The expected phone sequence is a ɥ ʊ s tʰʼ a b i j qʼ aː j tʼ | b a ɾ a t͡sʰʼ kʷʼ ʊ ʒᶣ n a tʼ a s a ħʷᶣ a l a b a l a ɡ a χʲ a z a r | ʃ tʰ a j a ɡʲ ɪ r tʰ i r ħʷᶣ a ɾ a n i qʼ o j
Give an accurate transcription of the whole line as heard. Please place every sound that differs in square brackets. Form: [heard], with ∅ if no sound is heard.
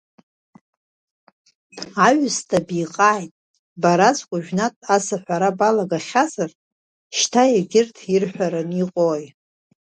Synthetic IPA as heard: a ɥ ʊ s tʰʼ a b i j qʼ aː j tʼ | b a ɾ a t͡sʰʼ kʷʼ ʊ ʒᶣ n a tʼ a s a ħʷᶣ a [ɾ] a b a l a ɡ a χʲ a z a r | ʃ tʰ a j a ɡʲ ɪ r tʰ i r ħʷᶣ a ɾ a n i qʼ o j

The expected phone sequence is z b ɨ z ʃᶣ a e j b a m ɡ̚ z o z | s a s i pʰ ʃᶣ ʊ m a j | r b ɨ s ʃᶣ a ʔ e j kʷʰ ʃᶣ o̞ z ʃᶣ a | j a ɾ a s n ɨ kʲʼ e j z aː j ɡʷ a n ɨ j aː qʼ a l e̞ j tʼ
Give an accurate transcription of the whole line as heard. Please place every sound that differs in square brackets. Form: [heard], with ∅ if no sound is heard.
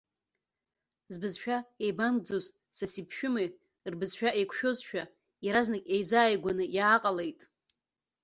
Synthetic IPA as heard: z b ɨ z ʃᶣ a e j b a m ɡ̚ [d͡z] o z | s a s i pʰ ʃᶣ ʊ m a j | r b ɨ [z] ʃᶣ a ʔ e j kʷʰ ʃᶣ o̞ z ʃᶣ a | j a ɾ a [z] n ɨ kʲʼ e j z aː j ɡʷ a n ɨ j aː qʼ a l e̞ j tʼ

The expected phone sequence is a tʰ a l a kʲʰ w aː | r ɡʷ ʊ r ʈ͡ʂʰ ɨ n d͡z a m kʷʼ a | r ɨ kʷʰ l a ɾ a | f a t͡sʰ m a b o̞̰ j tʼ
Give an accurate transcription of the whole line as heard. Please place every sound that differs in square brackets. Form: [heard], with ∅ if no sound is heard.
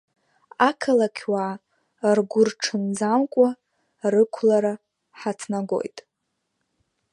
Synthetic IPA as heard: a [kʰ] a l a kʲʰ w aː | r ɡʷ ʊ r ʈ͡ʂʰ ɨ n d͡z a m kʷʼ a | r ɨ kʷʰ l a ɾ a | [ħ] a t͡sʰ [n] a [ɡ] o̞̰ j tʼ

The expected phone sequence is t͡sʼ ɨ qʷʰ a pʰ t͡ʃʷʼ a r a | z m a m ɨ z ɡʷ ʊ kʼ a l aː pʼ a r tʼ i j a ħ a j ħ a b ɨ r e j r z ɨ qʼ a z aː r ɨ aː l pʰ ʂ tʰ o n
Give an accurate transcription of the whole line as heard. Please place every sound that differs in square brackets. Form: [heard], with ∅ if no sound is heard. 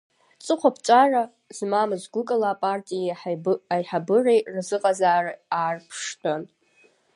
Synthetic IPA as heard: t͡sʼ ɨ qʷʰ a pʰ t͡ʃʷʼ a r a | z m a m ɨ z ɡʷ ʊ kʼ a l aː pʼ a r tʼ i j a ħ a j ħ a b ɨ r e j r z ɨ qʼ a z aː r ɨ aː [r] pʰ ʂ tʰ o n

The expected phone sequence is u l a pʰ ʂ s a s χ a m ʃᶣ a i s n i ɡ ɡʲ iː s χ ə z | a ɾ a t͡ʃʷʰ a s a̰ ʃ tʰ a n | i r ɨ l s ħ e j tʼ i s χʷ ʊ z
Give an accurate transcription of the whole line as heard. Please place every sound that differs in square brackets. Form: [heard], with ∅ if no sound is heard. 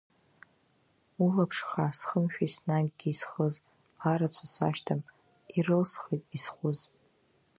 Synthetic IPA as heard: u l a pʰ ʂ [χ] a s χ [ə] m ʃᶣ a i s n [a] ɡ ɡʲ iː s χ ə z | a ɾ a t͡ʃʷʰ a s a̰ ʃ tʰ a [m] | i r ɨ l s [χ] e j tʼ i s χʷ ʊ z

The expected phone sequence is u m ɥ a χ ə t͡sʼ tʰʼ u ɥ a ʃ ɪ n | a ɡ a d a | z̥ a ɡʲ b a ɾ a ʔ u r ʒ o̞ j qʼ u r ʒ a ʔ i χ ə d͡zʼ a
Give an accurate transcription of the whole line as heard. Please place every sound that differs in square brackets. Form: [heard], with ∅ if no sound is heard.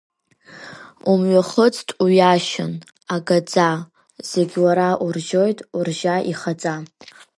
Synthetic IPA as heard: u m ɥ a χ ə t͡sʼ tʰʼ u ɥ a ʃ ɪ n | a ɡ a [d͡z] a | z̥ [e] ɡʲ [w] a ɾ a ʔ u r ʒ o̞ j [tʼ] u r ʒ a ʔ i χ [a] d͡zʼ a

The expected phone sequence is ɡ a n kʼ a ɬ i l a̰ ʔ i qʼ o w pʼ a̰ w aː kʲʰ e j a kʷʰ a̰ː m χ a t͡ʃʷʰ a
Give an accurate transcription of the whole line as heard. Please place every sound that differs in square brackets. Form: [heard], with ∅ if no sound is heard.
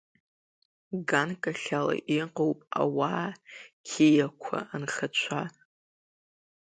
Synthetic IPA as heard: ɡ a n kʼ a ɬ [a] l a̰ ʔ i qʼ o w pʼ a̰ w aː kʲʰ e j a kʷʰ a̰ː [n] χ a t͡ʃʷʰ a

